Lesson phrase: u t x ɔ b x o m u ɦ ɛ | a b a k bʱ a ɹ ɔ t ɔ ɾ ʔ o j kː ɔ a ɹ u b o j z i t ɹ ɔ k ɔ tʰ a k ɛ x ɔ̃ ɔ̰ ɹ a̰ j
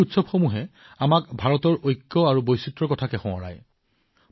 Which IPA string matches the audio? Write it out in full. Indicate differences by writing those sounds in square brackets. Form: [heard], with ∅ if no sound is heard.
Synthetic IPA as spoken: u t [s] ɔ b x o m u ɦ ɛ | a [m] a k bʱ a ɹ ɔ t ɔ [ɹ] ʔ o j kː ɔ a ɹ u b o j [s] i t ɹ ɔ k ɔ tʰ a k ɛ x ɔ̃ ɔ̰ ɹ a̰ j